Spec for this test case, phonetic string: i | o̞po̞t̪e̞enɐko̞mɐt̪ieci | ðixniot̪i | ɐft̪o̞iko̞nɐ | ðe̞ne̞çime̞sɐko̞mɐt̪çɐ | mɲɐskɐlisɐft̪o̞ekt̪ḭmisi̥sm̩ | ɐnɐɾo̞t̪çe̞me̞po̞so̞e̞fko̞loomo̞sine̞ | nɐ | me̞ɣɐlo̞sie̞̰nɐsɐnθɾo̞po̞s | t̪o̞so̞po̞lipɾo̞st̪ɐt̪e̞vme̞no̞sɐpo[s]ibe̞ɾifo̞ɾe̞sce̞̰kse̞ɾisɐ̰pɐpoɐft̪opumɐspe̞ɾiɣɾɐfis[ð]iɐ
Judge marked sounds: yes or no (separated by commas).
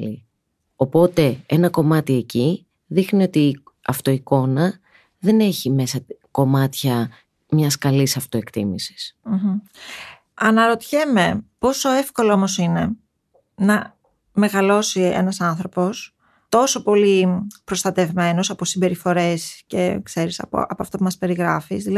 yes, yes